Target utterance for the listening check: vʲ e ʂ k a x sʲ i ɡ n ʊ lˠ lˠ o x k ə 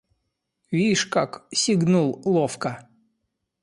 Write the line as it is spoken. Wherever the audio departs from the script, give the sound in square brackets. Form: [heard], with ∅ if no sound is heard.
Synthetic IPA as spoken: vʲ [i] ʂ k a [k] sʲ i ɡ n [u] lˠ lˠ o [f] k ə